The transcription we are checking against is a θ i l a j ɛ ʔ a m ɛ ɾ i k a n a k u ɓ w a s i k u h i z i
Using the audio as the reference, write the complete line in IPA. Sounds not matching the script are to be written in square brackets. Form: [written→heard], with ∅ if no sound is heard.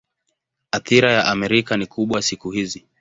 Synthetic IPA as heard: a θ i [l→ɾ] a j [ɛ→a] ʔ a m ɛ ɾ i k a n [a→i] k u ɓ w a s i k u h i z i